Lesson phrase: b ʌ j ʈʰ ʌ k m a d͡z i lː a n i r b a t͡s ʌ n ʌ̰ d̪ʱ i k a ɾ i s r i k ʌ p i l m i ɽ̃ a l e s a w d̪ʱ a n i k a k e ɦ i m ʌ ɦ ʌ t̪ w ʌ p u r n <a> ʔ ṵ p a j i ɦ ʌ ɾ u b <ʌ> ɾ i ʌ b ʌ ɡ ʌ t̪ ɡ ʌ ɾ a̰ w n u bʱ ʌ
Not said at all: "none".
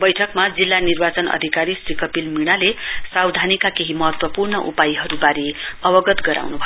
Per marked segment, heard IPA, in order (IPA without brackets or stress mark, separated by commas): ʌ, a